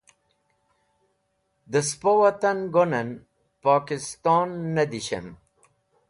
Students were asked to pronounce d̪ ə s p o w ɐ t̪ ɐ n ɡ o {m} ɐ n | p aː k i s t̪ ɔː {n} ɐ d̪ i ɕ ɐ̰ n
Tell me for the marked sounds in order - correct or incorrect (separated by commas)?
incorrect, incorrect